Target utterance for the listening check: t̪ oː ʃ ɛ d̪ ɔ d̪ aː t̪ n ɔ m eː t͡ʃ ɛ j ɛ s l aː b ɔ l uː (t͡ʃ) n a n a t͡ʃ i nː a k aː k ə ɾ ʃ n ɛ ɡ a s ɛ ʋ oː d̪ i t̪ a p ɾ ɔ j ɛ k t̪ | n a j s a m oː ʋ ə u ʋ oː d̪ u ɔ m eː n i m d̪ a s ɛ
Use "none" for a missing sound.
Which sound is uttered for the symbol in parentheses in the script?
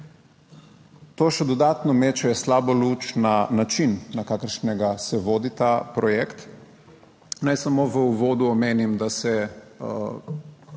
t͡ʃ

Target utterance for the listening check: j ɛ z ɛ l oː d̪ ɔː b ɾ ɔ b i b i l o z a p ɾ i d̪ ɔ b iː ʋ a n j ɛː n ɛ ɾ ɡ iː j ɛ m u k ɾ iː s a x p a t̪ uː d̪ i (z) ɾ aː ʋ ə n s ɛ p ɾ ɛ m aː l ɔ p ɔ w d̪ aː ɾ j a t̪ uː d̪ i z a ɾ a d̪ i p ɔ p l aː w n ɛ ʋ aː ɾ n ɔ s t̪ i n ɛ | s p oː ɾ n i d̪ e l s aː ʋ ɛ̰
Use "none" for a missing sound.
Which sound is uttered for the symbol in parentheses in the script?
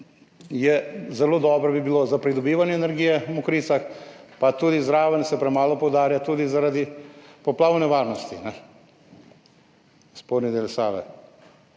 z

